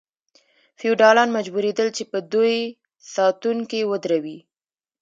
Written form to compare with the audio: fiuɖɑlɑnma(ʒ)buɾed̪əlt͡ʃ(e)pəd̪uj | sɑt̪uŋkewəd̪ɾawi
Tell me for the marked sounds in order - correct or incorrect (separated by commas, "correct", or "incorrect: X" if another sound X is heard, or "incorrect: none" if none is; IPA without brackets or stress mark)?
incorrect: d͡ʒ, correct